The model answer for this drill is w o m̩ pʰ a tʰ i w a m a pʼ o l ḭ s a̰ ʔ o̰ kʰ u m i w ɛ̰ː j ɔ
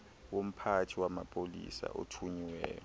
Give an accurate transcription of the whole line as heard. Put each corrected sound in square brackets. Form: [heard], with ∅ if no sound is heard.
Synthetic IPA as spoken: w o m̩ pʰ a tʰ i w a m a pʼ o l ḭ s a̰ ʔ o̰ [tʰ] u [ɲ] i w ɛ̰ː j ɔ